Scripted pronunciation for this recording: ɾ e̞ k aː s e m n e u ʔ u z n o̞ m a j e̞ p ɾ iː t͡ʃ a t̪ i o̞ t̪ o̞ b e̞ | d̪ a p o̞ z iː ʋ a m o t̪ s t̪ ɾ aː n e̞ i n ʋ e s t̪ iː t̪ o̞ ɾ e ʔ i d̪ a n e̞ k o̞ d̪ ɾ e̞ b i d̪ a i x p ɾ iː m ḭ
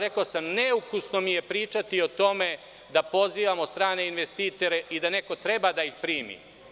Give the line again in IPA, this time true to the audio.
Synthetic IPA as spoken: ɾ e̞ k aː s a m n e u k u s n o̞ m i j e̞ p ɾ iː t͡ʃ a t̪ i o̞ t̪ o̞ m e̞ | d̪ a p o̞ z iː ʋ a m o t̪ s t̪ ɾ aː n e̞ i n ʋ e s t̪ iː t̪ o̞ ɾ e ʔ i d̪ a n e̞ k o̞ t̪ ɾ e̞ b a d̪ a i x p ɾ iː m ḭ